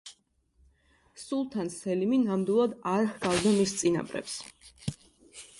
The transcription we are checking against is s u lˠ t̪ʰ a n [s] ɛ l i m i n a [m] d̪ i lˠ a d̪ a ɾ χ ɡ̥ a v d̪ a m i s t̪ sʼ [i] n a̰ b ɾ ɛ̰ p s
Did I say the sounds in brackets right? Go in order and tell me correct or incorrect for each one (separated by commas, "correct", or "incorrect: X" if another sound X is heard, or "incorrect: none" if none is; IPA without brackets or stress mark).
correct, correct, correct